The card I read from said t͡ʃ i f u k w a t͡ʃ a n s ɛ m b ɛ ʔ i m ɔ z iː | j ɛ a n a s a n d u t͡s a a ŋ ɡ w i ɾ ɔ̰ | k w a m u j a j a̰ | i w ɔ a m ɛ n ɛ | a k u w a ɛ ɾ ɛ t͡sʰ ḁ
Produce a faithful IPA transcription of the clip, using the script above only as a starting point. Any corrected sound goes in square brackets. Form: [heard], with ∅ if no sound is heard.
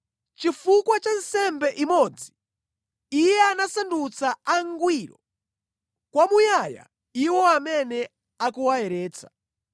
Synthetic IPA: t͡ʃ i f u k w a t͡ʃ a n s ɛ m b ɛ ʔ i m ɔ [d͡z] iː | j ɛ a n a s a n d u t͡s a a ŋ ɡ w i ɾ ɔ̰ | k w a m u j a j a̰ | i w ɔ a m ɛ n ɛ | a k u w a ɛ ɾ [ɛː] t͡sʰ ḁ